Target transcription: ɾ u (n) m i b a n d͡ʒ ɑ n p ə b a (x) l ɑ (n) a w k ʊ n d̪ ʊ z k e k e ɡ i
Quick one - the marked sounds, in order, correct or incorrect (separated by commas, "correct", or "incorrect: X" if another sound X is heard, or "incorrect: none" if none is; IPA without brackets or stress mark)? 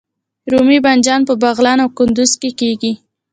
incorrect: none, incorrect: ɣ, correct